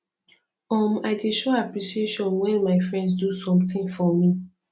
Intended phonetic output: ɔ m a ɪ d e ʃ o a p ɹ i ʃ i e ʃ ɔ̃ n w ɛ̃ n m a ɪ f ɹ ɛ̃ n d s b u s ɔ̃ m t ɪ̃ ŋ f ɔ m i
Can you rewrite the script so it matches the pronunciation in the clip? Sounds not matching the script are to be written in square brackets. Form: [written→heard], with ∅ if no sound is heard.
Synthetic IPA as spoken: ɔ m a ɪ d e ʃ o a p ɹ i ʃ i e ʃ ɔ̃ n w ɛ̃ n m a ɪ f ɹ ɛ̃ n d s [b→d] u s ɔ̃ m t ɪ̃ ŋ f ɔ m i

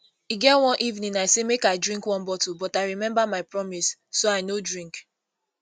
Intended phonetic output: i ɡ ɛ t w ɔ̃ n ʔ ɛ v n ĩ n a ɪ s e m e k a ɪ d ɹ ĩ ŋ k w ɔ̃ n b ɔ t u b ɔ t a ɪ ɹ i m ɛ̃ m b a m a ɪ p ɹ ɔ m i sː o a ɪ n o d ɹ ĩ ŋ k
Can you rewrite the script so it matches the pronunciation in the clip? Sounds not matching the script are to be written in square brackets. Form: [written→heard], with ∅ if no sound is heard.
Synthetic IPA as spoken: i ɡ ɛ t w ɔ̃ n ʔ [ɛ→i] v n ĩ n a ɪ s e m e k a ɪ d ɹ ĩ ŋ k w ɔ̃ n b ɔ t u b ɔ t a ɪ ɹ i m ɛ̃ m b a m a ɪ p ɹ ɔ m i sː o a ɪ n o d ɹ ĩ ŋ k

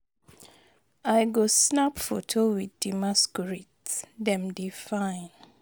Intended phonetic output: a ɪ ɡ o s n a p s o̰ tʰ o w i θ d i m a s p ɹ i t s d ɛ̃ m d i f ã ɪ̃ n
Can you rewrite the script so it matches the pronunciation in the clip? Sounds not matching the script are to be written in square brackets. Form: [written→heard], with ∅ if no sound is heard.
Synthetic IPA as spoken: a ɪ ɡ o s n a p [s→f] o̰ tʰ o w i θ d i m a s [p→k] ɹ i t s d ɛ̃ m d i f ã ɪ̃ n

